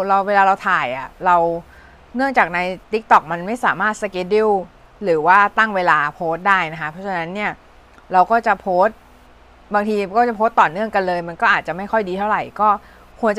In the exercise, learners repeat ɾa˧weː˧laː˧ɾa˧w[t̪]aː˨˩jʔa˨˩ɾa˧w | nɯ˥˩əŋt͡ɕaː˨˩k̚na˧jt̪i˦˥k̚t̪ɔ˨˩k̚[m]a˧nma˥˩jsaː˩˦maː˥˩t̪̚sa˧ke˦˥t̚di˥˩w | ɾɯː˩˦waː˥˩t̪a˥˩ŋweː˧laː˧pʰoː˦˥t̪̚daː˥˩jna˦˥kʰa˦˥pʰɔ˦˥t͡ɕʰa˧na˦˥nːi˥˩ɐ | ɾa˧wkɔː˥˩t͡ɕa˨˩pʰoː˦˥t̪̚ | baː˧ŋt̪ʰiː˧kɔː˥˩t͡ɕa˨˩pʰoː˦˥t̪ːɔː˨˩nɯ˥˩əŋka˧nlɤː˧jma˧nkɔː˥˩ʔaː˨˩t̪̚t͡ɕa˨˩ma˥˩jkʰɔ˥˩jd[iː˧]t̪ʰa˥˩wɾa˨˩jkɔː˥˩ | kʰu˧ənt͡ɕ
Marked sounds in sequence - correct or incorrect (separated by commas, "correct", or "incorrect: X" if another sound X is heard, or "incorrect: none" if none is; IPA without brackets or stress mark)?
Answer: incorrect: t̪ʰ, correct, correct